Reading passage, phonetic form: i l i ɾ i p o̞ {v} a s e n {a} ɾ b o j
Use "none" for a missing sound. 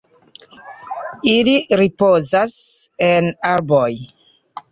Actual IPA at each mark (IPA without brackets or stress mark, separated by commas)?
z, a